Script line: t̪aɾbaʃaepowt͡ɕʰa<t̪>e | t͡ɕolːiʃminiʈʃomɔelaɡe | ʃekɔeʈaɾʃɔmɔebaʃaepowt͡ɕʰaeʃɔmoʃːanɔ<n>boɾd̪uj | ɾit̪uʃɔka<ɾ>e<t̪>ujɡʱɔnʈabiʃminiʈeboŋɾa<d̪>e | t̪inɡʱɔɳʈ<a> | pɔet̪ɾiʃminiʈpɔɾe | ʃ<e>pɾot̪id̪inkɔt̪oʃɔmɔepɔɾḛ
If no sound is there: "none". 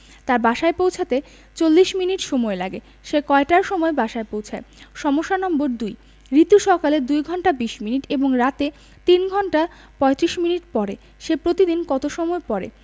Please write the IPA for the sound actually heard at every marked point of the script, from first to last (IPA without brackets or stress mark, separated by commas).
t̪, m, l, d̪, t̪, a, e